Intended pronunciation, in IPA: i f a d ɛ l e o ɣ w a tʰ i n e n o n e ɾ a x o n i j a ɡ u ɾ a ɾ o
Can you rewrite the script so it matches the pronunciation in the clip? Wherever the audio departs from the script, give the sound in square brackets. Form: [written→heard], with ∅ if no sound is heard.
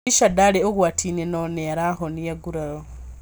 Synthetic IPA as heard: i [f→ʃ] a d [ɛ→a] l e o ɣ w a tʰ i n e n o n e ɾ a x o n i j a ɡ u ɾ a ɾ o